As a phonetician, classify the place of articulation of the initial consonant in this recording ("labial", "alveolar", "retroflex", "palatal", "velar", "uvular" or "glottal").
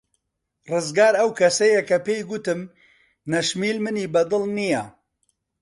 alveolar